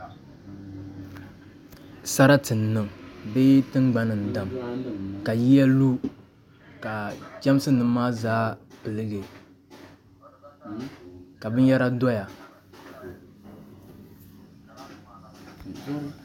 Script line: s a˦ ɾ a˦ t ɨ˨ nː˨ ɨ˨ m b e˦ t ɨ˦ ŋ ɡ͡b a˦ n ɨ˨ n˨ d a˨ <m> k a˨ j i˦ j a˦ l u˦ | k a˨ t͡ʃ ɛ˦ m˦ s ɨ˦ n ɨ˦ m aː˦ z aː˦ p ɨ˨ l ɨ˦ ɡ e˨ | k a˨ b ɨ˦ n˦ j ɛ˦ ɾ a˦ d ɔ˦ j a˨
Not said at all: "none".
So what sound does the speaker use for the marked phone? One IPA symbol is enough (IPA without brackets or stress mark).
m